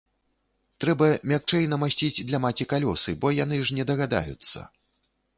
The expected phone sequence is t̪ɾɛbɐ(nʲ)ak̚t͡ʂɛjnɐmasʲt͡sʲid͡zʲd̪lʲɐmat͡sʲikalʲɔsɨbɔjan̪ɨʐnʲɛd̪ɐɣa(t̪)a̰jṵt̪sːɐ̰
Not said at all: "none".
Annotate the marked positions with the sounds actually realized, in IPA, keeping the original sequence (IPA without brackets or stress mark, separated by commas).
mʲ, d̪